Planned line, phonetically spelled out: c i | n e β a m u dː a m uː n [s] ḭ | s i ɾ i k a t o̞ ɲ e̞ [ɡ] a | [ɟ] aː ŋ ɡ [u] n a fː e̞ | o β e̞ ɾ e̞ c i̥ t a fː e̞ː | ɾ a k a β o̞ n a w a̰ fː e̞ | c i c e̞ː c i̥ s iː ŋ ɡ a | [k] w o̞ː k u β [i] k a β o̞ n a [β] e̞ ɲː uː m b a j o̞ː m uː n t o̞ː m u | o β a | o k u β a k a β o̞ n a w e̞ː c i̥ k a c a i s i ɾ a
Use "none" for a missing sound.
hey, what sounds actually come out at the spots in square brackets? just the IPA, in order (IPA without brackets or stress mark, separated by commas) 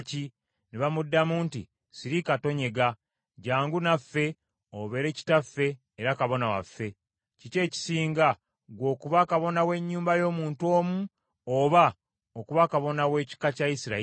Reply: t, ɡ, ɟ, u, ɡ, a, w